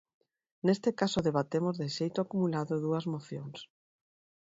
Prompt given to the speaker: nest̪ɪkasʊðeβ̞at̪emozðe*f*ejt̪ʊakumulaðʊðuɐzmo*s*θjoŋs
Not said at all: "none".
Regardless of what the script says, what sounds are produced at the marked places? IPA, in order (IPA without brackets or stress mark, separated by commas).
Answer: ʃ, none